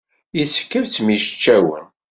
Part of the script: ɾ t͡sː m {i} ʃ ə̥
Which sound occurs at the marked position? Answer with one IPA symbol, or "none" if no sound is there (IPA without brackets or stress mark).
i